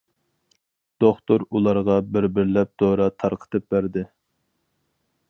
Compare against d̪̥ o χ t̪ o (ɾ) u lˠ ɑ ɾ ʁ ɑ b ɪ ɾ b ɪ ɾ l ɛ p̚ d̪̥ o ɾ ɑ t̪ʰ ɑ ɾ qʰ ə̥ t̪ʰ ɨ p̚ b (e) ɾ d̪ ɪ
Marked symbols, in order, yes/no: yes, no

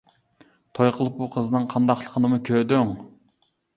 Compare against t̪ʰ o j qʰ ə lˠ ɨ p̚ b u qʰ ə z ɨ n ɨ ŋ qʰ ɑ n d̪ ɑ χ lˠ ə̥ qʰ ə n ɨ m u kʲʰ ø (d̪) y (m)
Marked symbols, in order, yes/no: yes, no

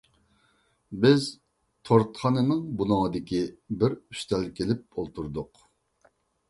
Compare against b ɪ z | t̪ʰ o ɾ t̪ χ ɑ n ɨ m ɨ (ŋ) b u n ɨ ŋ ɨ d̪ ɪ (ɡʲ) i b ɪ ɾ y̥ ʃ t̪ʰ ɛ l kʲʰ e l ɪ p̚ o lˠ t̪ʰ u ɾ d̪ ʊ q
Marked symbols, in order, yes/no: yes, no

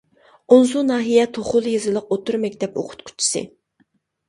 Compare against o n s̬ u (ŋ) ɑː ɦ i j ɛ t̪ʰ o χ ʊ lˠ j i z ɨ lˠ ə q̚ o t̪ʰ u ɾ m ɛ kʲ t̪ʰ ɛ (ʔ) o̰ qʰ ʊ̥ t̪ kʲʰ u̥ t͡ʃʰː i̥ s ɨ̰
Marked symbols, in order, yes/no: no, no

